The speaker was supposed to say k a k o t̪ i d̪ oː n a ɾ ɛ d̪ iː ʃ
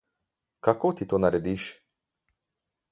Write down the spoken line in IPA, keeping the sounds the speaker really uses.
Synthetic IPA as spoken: k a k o t̪ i t̪ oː n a ɾ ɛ d̪ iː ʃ